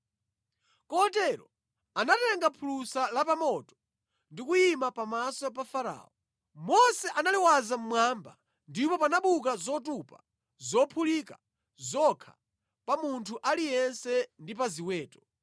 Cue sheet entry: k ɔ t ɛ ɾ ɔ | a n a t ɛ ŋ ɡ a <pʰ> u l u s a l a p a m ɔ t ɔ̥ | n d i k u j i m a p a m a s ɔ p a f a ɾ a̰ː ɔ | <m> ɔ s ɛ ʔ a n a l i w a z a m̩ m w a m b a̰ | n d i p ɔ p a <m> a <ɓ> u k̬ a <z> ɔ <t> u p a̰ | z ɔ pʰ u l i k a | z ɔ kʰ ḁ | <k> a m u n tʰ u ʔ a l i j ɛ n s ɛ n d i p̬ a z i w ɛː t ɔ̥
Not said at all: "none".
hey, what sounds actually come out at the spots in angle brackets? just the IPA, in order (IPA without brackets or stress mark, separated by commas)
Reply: pʰ, m, n, ɓ, z, t, p